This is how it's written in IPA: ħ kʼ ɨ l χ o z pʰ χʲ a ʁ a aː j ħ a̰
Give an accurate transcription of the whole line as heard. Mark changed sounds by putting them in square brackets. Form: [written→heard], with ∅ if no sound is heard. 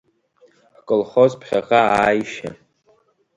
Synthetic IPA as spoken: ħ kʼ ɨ l χ o z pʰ χʲ a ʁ a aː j [ħ→ʃ] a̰